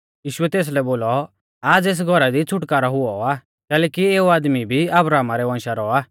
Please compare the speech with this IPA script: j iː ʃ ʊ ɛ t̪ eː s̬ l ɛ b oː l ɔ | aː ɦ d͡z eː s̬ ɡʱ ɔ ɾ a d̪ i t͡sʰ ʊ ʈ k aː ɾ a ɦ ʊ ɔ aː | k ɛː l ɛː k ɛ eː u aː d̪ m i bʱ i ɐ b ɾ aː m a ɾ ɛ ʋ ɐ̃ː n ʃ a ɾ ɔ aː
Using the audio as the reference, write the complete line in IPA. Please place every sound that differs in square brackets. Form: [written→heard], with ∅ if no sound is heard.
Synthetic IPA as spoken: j iː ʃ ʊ ɛ t̪ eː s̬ l ɛ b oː l ɔ | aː [ɦ→∅] d͡z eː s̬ ɡʱ ɔ ɾ a d̪ i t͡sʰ ʊ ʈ k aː ɾ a ɦ ʊ ɔ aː | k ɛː l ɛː k [ɛ→i] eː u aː d̪ m i bʱ i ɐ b ɾ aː m a ɾ ɛ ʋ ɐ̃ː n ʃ a ɾ ɔ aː